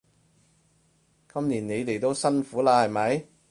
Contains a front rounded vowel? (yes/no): no